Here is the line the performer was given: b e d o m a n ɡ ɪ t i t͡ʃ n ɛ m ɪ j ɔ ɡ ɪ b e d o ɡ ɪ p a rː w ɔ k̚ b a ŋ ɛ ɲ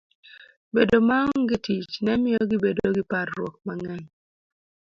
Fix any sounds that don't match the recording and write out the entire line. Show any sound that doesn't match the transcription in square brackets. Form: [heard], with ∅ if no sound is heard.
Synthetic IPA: b e d o m a [ŋ] ɡ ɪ t i t͡ʃ n ɛ m ɪ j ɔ ɡ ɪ b e d o ɡ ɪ p a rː w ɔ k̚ [m] a ŋ ɛ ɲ